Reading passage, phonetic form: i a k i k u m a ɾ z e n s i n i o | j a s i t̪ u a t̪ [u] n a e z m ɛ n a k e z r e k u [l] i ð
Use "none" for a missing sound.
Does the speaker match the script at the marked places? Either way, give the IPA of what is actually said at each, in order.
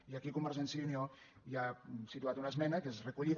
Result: u, ʎ

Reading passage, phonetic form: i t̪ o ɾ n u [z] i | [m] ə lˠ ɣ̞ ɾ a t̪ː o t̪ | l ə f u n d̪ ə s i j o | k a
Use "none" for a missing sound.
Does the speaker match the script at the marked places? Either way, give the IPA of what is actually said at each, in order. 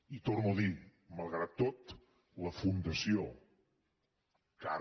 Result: ð, m

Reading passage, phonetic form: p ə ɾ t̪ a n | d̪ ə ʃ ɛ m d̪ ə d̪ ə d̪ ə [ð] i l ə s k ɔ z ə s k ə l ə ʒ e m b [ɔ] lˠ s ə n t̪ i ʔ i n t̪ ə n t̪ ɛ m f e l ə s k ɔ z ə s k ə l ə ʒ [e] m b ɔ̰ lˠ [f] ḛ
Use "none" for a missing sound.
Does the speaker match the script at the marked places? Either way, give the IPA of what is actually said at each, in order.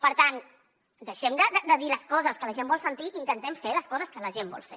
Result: ð, ɔ, e, f

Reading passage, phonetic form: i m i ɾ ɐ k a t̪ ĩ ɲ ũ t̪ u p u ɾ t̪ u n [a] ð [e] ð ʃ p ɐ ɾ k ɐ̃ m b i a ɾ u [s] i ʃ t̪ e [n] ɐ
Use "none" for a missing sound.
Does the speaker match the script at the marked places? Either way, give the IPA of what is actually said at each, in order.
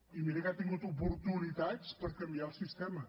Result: i, a, s, m

